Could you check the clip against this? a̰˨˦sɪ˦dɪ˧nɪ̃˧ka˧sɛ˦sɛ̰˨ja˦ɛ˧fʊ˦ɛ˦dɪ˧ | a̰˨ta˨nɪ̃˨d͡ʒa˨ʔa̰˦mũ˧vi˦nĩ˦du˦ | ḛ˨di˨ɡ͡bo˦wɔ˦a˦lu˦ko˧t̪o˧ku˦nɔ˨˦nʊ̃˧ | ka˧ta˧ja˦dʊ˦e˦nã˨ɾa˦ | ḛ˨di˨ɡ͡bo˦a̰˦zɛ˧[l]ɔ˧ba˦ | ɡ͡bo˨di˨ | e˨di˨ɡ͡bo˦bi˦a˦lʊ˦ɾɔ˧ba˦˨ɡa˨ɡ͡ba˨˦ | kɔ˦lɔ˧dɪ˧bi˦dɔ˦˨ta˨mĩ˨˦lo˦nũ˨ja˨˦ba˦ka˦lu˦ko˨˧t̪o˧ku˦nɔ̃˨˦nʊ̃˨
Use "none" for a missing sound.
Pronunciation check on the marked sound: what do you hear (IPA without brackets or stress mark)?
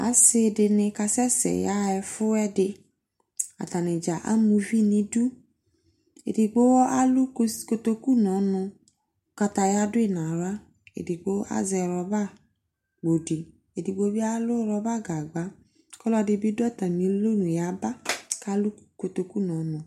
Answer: ɾ